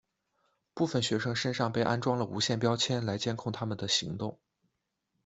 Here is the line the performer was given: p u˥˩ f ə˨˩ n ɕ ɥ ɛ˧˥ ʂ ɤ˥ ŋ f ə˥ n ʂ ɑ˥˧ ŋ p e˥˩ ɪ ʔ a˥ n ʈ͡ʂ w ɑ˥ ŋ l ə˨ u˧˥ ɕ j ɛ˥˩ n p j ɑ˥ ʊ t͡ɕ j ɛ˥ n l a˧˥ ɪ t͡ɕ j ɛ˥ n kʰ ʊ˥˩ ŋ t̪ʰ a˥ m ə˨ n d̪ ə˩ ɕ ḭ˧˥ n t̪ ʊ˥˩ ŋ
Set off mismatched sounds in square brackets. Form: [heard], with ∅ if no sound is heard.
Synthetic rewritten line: p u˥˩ f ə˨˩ n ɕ ɥ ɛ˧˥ ʂ ɤ˥ ŋ [ʂ] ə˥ n ʂ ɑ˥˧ ŋ p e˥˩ ɪ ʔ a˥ n ʈ͡ʂ w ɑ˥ ŋ l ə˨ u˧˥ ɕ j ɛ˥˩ n p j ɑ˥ ʊ [t͡ɕʰ] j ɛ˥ n l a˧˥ ɪ t͡ɕ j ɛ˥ n kʰ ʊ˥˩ ŋ t̪ʰ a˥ m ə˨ n d̪ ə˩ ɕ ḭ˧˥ [ŋ] t̪ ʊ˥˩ ŋ